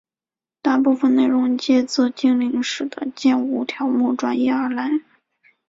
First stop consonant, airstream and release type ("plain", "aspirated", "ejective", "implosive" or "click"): plain